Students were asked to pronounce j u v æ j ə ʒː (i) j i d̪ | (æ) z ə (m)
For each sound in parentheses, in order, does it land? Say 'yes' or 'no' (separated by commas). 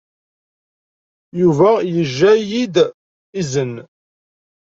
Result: no, no, no